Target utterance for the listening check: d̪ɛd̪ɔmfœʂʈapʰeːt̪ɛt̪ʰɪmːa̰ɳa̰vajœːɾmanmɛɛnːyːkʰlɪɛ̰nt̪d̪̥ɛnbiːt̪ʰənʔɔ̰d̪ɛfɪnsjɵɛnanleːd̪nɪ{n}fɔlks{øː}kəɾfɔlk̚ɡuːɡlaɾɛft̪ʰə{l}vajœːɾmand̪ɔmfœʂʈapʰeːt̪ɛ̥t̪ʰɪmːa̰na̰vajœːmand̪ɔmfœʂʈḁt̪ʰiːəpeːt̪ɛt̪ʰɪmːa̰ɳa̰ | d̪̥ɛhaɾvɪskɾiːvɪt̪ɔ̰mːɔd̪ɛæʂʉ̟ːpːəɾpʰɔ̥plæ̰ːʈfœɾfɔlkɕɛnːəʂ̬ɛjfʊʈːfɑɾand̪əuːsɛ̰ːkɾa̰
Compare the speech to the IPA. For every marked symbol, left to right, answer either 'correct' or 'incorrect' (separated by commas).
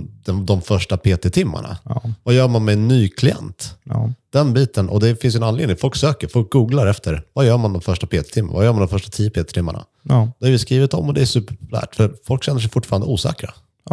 incorrect, correct, incorrect